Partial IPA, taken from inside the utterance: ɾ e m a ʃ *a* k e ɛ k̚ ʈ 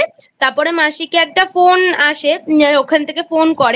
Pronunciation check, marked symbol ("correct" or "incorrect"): incorrect